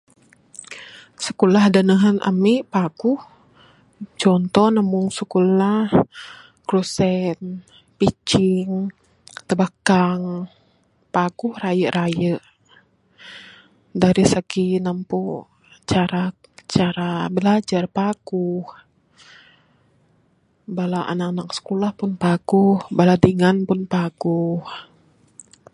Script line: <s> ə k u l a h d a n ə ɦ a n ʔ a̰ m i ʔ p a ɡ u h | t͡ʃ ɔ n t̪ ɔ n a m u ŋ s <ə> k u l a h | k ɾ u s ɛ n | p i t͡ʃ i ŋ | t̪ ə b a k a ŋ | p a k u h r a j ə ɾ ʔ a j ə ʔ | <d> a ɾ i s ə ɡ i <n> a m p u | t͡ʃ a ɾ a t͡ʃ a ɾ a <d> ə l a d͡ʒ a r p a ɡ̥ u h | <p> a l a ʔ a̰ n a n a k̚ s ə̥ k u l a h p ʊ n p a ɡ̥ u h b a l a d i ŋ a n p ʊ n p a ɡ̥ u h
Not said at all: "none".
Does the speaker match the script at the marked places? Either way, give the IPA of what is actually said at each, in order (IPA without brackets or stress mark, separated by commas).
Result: s, ə, d, n, b, b